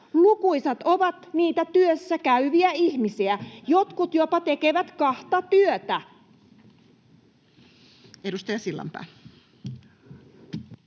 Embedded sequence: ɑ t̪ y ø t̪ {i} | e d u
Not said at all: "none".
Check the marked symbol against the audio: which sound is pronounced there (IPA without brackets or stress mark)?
æ